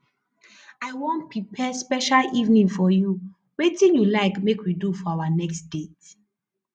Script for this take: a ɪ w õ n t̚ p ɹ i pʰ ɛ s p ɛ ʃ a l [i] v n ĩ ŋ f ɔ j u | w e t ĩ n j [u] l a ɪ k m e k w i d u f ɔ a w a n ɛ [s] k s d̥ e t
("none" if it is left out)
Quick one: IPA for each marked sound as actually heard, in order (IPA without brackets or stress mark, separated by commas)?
i, u, none